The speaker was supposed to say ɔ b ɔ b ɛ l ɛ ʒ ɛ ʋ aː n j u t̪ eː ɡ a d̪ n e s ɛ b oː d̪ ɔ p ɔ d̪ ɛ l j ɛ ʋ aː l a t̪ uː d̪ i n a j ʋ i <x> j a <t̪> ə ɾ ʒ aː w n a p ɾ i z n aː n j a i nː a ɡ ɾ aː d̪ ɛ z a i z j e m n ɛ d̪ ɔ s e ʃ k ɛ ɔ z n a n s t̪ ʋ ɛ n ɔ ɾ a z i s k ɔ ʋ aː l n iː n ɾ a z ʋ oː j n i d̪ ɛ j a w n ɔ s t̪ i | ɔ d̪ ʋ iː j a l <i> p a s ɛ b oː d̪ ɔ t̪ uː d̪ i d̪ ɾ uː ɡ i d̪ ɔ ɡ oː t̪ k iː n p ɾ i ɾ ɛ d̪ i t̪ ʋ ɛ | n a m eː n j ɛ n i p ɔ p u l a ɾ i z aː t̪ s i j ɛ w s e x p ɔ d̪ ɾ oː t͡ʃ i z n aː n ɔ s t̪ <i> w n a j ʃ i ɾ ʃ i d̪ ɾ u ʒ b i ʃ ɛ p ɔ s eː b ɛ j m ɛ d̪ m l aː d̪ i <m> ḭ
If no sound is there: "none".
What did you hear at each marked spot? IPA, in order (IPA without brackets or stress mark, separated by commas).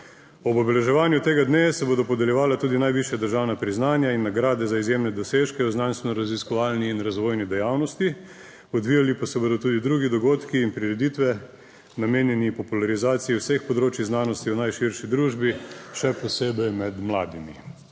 ʃ, d̪, i, i, m